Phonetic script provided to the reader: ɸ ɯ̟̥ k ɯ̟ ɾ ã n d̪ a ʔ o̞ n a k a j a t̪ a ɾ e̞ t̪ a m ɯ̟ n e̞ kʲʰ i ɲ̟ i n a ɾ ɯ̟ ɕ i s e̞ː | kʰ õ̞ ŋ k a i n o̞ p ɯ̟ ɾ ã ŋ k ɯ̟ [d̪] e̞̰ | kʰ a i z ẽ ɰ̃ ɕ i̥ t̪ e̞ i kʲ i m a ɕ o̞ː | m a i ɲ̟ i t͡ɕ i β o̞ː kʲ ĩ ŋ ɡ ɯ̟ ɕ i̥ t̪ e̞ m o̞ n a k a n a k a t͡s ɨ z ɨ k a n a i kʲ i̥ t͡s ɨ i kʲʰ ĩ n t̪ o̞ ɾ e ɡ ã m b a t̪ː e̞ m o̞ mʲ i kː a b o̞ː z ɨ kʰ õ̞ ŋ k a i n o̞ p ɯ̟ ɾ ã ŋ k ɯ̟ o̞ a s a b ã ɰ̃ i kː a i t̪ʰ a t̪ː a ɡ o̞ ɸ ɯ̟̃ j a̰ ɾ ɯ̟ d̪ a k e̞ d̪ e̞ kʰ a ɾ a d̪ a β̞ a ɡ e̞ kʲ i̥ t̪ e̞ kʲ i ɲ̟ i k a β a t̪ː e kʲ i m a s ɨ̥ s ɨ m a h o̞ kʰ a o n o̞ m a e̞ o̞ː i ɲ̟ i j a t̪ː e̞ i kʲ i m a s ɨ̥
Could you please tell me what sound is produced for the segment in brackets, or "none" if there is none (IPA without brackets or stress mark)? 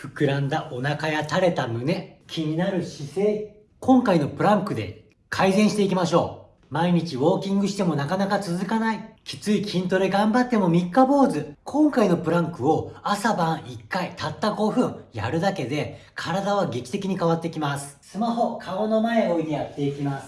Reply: d̪